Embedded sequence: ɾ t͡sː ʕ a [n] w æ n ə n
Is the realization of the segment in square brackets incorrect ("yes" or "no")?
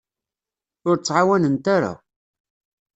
yes